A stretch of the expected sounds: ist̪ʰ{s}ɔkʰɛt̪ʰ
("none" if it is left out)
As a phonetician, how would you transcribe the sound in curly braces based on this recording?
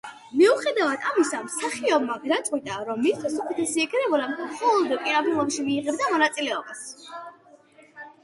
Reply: s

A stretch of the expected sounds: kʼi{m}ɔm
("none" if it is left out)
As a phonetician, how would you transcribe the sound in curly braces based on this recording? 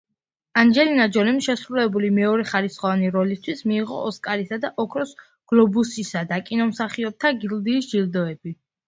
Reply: n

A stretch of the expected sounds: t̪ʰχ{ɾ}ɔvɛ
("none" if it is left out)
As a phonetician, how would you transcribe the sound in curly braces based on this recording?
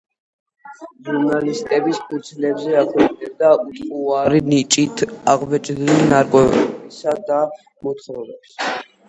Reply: ɾ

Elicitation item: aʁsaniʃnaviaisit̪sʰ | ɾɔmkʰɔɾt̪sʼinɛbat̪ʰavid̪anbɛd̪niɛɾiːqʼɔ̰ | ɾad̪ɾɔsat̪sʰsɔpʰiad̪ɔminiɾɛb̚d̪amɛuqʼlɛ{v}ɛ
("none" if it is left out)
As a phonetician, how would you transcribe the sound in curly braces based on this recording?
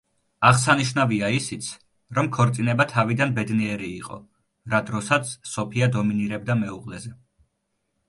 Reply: z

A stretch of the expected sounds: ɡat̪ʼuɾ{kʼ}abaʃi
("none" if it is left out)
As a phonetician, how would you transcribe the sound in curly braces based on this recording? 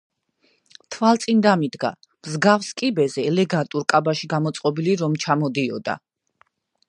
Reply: kʼ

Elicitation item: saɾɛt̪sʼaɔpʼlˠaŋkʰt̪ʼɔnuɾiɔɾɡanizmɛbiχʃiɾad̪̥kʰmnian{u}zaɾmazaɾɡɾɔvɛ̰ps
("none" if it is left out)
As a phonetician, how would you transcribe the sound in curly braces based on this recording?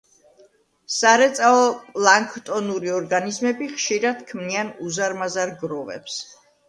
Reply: u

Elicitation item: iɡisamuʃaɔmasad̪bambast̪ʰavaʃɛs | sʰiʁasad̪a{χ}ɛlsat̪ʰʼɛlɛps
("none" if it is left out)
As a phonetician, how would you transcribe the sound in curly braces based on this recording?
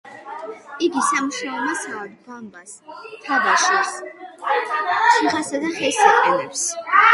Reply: χ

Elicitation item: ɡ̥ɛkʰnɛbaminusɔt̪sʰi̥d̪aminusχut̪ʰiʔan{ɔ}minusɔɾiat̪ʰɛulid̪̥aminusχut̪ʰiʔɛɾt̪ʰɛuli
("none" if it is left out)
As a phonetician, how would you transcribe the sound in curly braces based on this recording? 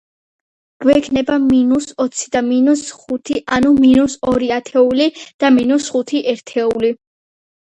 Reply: u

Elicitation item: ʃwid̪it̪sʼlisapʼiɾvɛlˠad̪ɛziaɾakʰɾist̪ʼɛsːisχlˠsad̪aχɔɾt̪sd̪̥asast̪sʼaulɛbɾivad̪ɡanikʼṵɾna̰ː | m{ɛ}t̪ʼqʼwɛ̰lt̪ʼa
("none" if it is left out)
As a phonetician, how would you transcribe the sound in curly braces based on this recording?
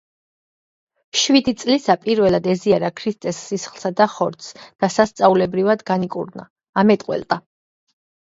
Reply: ɛ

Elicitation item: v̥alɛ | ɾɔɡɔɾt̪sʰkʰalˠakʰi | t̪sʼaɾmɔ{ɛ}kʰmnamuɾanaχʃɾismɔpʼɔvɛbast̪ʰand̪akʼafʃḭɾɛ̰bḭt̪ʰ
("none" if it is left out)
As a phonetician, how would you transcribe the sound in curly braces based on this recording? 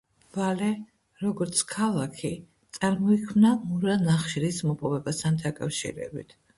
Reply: i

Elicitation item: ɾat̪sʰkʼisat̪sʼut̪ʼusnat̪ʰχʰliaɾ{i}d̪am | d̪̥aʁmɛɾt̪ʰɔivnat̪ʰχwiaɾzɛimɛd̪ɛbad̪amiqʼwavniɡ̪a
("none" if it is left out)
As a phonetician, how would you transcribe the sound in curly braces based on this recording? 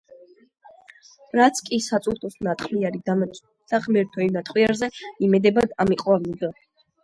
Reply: i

